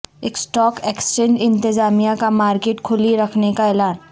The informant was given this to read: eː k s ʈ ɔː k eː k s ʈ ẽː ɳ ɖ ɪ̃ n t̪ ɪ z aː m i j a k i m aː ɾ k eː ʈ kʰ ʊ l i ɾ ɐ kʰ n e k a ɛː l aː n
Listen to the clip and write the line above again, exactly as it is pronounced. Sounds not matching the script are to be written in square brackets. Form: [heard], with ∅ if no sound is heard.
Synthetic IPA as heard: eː k s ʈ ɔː k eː k s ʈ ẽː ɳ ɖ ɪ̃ n t̪ ɪ z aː m i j a k [a] m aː ɾ k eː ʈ kʰ ʊ l i ɾ ɐ kʰ n e k a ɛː l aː n